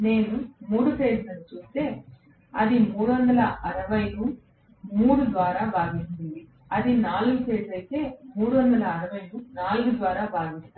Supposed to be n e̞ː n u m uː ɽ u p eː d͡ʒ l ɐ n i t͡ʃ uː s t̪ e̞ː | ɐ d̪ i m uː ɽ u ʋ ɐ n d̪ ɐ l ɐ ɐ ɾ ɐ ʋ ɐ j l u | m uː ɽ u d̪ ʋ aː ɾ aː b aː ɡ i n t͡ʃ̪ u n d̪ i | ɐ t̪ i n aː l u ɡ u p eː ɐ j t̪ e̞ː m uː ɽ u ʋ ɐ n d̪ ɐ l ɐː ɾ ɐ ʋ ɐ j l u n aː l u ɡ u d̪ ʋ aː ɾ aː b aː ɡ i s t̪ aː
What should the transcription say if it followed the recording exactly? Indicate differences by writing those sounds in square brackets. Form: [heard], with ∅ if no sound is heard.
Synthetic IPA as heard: n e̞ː n u m uː ɽ u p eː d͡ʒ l ɐ n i t͡ʃ uː s t̪ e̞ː | ɐ d̪ i m uː ɽ u ʋ ɐ n d̪ ɐ l ɐ ɐ ɾ ɐ ʋ ɐ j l u | m uː ɽ u d̪ ʋ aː ɾ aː b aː ɡ i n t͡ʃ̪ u n d̪ i | ɐ [d̪] i n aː l u ɡ u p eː ɐ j t̪ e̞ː m uː ɽ u ʋ ɐ n d̪ ɐ l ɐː ɾ ɐ ʋ ɐ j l u n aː l u ɡ u d̪ ʋ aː ɾ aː b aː ɡ i s t̪ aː